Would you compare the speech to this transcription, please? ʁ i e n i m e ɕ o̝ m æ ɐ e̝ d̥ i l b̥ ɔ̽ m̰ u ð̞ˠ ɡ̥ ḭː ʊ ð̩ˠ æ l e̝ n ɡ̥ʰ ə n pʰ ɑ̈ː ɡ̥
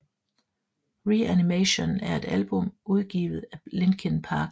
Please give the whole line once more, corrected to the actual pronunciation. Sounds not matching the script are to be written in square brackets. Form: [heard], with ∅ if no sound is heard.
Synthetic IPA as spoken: ʁ i [æ] n i m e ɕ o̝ [n] æ ɐ e̝ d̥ [æ] l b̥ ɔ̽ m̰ u ð̞ˠ ɡ̥ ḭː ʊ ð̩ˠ æ l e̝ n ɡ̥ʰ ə n pʰ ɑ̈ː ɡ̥